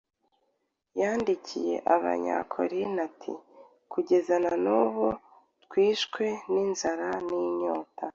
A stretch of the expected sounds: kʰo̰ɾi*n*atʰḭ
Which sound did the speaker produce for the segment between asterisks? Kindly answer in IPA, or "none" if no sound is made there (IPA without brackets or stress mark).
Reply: n